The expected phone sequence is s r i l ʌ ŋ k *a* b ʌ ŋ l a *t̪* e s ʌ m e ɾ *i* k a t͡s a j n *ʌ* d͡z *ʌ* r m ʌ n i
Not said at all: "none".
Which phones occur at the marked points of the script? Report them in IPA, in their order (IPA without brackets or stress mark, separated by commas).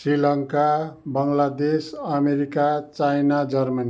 a, d̪, i, a, ʌ